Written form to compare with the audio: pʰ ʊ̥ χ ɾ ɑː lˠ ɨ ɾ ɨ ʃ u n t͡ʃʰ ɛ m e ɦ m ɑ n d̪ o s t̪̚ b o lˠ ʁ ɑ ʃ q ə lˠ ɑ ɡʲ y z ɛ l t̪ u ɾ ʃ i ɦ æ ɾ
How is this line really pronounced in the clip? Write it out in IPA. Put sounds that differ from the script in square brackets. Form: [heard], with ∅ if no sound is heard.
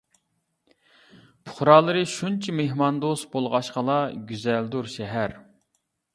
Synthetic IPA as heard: pʰ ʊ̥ χ ɾ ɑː lˠ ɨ ɾ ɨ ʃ u n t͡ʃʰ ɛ m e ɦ m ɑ n d̪ o s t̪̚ b o lˠ ʁ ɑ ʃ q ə lˠ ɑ ɡʲ y z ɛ l [d̪] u ɾ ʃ [ɛ] ɦ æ ɾ